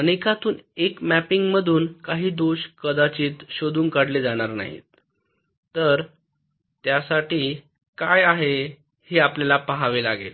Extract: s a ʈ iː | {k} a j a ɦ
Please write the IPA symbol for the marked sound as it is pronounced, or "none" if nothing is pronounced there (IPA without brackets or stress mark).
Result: k